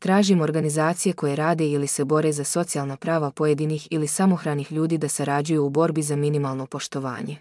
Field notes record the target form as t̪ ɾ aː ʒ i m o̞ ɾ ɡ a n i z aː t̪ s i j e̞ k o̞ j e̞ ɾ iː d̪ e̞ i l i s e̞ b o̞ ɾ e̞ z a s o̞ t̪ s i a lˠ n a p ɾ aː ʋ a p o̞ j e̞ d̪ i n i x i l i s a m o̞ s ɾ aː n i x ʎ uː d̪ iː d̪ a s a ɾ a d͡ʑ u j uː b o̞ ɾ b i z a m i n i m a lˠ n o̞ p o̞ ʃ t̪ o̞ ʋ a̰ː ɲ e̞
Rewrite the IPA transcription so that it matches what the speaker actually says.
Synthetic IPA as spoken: t̪ ɾ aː ʒ i m o̞ ɾ ɡ a n i z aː t̪ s i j e̞ k o̞ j e̞ ɾ aː d̪ e̞ i l i s e̞ b o̞ ɾ e̞ z a s o̞ t̪ s i a lˠ n a p ɾ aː ʋ a p o̞ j e̞ d̪ i n i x i l i s a m o̞ x ɾ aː n i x ʎ uː d̪ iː d̪ a s a ɾ a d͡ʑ u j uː b o̞ ɾ b i z a m i n i m a lˠ n o̞ p o̞ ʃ t̪ o̞ ʋ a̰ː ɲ e̞